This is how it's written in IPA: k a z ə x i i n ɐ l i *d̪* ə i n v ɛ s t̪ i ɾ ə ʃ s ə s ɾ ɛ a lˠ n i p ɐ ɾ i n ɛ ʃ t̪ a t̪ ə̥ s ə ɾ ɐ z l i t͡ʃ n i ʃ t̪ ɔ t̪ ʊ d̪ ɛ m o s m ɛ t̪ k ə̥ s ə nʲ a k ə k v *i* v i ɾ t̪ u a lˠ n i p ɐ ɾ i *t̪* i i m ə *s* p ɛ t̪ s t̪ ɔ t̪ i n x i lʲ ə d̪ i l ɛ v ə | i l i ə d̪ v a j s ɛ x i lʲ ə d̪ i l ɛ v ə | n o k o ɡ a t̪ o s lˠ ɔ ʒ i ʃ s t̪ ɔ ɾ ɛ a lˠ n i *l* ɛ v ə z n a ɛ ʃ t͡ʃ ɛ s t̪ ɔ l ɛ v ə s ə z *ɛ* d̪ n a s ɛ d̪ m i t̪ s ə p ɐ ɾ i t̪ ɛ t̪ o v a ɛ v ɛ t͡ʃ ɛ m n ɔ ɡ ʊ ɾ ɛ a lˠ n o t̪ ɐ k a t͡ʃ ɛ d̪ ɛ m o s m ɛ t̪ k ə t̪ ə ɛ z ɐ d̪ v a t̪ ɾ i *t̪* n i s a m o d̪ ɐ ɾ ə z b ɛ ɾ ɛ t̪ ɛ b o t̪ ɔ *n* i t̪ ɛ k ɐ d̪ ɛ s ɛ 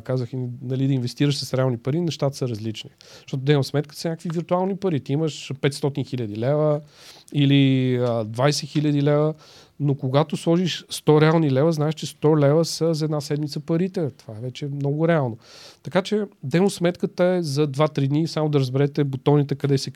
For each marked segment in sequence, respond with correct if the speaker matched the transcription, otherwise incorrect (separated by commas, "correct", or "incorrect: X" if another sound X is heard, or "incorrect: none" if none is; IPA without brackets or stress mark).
correct, correct, correct, incorrect: ʃ, correct, correct, incorrect: d̪, correct